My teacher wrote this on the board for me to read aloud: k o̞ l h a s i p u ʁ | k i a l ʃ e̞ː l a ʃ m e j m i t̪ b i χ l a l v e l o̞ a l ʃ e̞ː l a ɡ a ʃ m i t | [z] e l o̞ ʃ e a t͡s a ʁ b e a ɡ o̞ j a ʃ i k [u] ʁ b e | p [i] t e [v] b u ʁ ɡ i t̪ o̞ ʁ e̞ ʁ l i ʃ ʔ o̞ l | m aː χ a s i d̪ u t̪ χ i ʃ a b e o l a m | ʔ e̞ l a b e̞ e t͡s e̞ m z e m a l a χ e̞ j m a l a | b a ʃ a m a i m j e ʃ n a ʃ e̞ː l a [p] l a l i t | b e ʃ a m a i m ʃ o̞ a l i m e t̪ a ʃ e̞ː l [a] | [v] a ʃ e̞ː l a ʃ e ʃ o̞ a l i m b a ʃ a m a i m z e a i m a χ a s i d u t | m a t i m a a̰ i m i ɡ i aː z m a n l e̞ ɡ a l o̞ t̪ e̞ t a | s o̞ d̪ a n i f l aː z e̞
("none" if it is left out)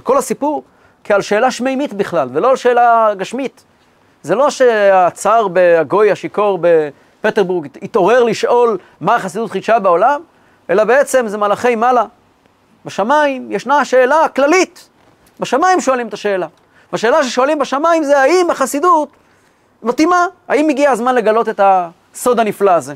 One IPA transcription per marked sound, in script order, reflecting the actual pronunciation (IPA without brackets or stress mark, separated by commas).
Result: z, o, e, ʁ, k, a, v